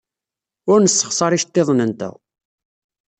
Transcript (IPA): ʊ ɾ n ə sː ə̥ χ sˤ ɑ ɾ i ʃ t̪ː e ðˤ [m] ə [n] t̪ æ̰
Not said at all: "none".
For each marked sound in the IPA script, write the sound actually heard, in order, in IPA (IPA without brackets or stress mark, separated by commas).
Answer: n, n